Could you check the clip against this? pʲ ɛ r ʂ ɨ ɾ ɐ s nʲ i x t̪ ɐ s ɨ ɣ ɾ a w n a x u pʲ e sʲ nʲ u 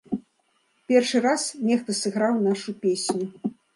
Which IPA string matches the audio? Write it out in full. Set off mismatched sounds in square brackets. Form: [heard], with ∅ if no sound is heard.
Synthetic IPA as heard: pʲ ɛ r ʂ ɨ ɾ [a] s nʲ [ɛ] x t̪ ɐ s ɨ ɣ ɾ a w n a [ʂ] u pʲ e sʲ nʲ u